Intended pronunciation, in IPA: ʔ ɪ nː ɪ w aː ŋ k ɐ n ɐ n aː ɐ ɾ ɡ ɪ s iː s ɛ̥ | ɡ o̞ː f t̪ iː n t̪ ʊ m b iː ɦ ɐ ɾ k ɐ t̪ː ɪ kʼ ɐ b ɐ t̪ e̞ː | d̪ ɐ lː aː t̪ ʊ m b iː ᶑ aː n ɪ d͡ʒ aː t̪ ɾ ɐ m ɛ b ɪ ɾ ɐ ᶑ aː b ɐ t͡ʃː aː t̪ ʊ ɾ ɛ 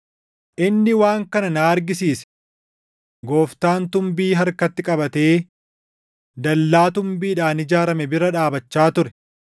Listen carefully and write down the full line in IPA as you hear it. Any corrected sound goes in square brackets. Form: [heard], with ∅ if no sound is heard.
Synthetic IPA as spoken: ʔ ɪ nː ɪ w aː ŋ k ɐ n ɐ n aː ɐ ɾ ɡ ɪ s iː s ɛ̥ | ɡ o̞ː f t̪ [aː] n t̪ ʊ m b iː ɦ ɐ ɾ k ɐ t̪ː ɪ kʼ ɐ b ɐ t̪ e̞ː | d̪ ɐ lː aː t̪ ʊ m b iː ᶑ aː n ɪ d͡ʒ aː [∅] ɾ ɐ m ɛ b ɪ ɾ ɐ ᶑ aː b ɐ t͡ʃː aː t̪ ʊ ɾ ɛ

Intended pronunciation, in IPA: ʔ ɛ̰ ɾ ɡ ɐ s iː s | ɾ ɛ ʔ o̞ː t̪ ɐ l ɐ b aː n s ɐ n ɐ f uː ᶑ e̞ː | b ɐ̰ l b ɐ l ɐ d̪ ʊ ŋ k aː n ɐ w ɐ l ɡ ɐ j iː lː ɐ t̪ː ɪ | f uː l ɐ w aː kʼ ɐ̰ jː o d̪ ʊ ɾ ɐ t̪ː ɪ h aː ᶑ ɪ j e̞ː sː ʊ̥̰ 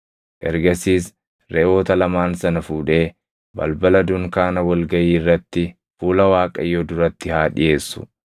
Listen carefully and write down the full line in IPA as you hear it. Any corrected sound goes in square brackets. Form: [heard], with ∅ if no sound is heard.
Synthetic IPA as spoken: ʔ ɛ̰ ɾ ɡ ɐ s iː s | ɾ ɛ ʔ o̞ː t̪ ɐ l ɐ [m] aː n s ɐ n ɐ f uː ᶑ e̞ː | b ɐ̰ l b ɐ l ɐ d̪ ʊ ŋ k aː n ɐ w ɐ l ɡ ɐ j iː [rː] ɐ t̪ː ɪ | f uː l ɐ w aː kʼ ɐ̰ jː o d̪ ʊ ɾ ɐ t̪ː ɪ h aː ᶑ ɪ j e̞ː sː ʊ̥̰

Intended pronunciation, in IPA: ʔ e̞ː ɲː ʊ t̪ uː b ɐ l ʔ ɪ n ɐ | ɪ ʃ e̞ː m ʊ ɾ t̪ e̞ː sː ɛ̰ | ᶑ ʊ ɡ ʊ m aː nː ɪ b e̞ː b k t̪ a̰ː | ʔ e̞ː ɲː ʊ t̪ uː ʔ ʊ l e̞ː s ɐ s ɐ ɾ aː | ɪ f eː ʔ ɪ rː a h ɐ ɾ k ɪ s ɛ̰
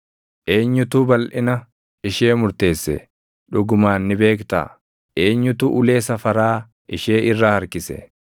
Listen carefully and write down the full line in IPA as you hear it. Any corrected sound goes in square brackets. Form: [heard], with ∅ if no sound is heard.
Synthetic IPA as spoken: ʔ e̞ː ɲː ʊ t̪ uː b ɐ l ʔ ɪ n ɐ | ɪ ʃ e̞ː m ʊ ɾ t̪ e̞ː sː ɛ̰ | ᶑ ʊ ɡ ʊ m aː nː ɪ b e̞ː [∅] k t̪ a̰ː | ʔ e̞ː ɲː ʊ t̪ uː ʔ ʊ l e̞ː s ɐ [f] ɐ ɾ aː | ɪ [ʃ] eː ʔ ɪ rː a h ɐ ɾ k ɪ s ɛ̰

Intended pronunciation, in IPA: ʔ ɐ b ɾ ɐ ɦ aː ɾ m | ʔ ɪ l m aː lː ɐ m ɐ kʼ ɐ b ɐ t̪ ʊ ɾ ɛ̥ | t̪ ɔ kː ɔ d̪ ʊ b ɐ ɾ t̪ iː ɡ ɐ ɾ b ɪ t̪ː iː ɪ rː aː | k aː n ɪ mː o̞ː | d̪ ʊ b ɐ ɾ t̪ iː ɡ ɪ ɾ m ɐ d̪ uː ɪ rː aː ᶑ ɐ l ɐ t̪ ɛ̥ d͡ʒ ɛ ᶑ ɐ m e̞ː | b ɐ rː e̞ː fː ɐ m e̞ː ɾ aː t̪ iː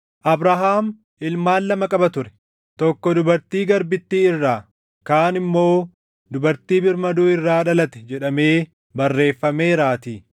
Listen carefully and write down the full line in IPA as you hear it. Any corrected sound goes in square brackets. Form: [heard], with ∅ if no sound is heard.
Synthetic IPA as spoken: ʔ ɐ b ɾ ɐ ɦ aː [∅] m | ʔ ɪ l m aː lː ɐ m ɐ kʼ ɐ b ɐ t̪ ʊ ɾ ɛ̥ | t̪ ɔ kː ɔ d̪ ʊ b ɐ ɾ t̪ iː ɡ ɐ ɾ b ɪ t̪ː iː ɪ rː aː | k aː n ɪ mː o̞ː | d̪ ʊ b ɐ ɾ t̪ iː [b] ɪ ɾ m ɐ d̪ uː ɪ rː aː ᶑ ɐ l ɐ t̪ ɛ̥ d͡ʒ ɛ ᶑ ɐ m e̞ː | b ɐ rː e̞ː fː ɐ m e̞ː ɾ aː t̪ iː

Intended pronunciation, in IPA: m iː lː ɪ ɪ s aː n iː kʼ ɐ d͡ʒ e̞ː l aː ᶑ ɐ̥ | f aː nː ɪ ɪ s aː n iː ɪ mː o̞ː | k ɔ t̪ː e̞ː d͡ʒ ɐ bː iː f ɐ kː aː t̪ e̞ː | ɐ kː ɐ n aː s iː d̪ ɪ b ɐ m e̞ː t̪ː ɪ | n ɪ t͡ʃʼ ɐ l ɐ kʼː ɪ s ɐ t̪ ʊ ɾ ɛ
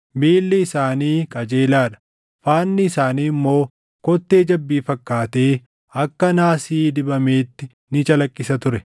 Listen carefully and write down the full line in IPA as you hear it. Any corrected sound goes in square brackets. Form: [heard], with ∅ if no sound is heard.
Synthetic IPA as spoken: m iː lː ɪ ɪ s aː n iː kʼ ɐ d͡ʒ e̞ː l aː ᶑ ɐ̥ | f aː nː ɪ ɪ s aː n iː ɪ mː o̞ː | k ɔ t̪ː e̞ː d͡ʒ ɐ bː iː f ɐ kː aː t̪ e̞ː | ɐ kː ɐ n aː s iː d̪ ɪ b ɐ m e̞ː t̪ː ɪ | n ɪ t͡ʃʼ ɐ l ɐ kʼː ɪ s ɐ t̪ ʊ ɾ ɛ

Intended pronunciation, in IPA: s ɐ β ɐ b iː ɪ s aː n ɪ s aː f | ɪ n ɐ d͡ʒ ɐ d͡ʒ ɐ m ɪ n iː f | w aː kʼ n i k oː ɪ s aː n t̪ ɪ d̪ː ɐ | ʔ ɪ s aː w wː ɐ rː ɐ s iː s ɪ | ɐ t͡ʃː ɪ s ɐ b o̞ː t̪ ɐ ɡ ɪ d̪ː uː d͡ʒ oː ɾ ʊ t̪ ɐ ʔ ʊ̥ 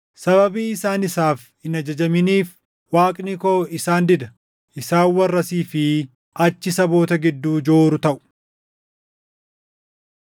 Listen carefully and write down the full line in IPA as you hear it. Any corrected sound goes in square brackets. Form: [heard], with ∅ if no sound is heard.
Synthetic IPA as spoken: s ɐ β ɐ b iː ɪ s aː n ɪ s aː f | ɪ n ɐ d͡ʒ ɐ d͡ʒ ɐ m ɪ n iː f | w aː kʼ n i k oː ɪ s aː n [d̪] ɪ [d̪] ɐ | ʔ ɪ s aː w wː ɐ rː ɐ s iː [f] ɪ | ɐ t͡ʃː ɪ s ɐ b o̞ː t̪ ɐ ɡ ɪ d̪ː uː d͡ʒ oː ɾ ʊ t̪ ɐ ʔ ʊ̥

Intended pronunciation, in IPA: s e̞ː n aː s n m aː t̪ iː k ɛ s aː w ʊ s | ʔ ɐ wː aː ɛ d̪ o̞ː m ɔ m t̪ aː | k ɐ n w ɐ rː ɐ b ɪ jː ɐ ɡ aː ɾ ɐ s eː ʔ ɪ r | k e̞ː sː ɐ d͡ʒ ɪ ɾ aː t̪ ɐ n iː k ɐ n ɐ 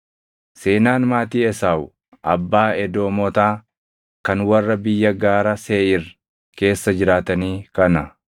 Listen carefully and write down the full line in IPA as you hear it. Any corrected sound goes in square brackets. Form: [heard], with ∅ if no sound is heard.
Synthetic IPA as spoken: s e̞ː n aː [∅] n m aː t̪ iː [∅] ɛ s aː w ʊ [∅] | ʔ ɐ [bː] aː ɛ d̪ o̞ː m ɔ [∅] t̪ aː | k ɐ n w ɐ rː ɐ b ɪ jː ɐ ɡ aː ɾ ɐ s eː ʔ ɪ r | k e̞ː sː ɐ d͡ʒ ɪ ɾ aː t̪ ɐ n iː k ɐ n ɐ

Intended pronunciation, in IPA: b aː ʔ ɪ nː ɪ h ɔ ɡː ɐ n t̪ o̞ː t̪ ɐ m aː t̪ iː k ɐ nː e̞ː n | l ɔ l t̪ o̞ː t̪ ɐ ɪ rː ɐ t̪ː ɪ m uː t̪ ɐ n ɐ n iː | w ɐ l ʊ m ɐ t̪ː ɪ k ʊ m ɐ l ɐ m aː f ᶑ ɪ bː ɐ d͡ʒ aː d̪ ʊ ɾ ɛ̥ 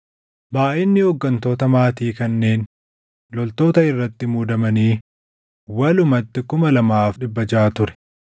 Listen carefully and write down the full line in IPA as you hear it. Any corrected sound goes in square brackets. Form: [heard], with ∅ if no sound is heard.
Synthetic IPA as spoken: b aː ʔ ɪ nː ɪ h ɔ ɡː ɐ n t̪ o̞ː t̪ ɐ m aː t̪ iː k ɐ nː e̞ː n | l ɔ l t̪ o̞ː t̪ ɐ ɪ rː ɐ t̪ː ɪ m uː [d̪] ɐ [m] ɐ n iː | w ɐ l ʊ m ɐ t̪ː ɪ k ʊ m ɐ l ɐ m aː f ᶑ ɪ bː ɐ d͡ʒ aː [t̪] ʊ ɾ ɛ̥

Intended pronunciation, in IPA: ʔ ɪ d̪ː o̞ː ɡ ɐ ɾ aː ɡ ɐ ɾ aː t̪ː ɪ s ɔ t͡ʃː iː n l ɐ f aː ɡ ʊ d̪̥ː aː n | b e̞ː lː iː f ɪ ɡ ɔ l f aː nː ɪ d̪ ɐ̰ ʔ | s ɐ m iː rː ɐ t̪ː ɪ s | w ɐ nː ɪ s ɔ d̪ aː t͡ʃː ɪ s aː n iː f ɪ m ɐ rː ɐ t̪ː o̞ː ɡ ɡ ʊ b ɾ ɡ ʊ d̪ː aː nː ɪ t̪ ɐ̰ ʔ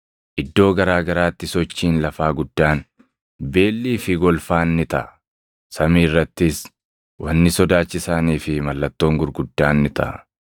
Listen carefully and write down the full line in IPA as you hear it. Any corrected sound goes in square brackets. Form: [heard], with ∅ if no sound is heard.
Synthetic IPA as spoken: ʔ ɪ d̪ː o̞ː ɡ ɐ ɾ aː ɡ ɐ ɾ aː t̪ː ɪ s ɔ t͡ʃː iː n l ɐ f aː ɡ ʊ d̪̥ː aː n | b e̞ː lː iː f ɪ ɡ ɔ l f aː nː ɪ [t̪] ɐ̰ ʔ | s ɐ m iː rː ɐ t̪ː ɪ s | w ɐ nː ɪ s ɔ d̪ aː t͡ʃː ɪ s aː n iː f ɪ m ɐ [lː] ɐ t̪ː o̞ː [ŋ] ɡ ʊ [∅] ɾ ɡ ʊ d̪ː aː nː ɪ t̪ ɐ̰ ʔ

